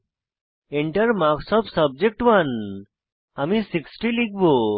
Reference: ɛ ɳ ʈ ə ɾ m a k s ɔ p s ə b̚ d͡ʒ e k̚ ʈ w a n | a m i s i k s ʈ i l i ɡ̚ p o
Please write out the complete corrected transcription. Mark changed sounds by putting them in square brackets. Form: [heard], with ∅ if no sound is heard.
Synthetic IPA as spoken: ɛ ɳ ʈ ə ɾ m a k s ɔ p s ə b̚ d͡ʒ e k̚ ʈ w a n | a m i s i k s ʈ i l i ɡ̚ [b] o